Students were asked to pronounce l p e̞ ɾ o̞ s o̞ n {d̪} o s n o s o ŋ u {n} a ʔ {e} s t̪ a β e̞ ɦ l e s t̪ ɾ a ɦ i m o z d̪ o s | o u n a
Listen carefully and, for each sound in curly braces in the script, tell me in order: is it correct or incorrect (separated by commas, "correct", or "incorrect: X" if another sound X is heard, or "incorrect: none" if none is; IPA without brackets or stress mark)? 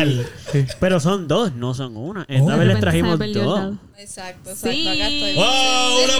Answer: correct, correct, correct